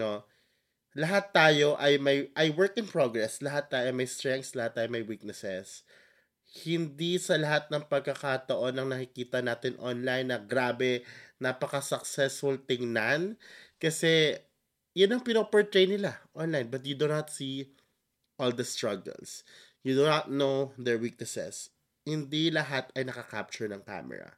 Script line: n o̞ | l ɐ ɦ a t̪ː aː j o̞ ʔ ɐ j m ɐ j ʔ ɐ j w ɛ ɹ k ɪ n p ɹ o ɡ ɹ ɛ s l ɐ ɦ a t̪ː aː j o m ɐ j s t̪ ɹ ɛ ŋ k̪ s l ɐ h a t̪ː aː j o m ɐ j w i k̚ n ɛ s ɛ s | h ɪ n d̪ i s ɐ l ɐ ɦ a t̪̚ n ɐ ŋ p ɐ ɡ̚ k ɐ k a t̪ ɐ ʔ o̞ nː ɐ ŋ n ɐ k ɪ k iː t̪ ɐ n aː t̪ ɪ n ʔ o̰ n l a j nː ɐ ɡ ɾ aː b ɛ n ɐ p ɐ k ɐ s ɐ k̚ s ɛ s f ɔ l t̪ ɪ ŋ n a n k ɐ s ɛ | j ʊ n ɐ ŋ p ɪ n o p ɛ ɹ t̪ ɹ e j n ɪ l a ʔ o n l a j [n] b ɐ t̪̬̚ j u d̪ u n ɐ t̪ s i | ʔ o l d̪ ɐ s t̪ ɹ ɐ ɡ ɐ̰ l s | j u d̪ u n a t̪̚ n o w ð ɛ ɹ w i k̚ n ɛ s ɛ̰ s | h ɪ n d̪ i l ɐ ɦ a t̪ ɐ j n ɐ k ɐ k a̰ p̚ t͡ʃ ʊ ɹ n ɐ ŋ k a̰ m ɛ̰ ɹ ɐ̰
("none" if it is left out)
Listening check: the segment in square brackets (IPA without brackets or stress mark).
n